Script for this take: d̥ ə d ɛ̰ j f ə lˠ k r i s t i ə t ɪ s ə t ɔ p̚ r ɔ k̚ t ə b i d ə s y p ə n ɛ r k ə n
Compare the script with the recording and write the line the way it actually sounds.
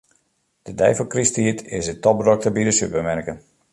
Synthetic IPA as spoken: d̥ ə d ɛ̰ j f ə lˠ k r i s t i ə t ɪ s ə t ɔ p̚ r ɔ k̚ t ə b i d ə s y p ə m ɛ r k ə n